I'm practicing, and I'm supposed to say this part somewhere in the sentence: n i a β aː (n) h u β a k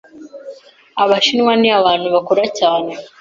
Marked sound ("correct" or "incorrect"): correct